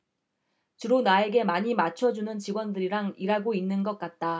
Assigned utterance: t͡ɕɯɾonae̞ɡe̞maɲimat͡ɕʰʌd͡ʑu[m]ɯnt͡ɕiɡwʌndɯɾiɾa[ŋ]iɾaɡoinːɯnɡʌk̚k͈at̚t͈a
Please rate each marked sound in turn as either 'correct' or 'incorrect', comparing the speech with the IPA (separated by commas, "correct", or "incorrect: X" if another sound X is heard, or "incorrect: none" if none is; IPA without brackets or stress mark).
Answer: incorrect: n, correct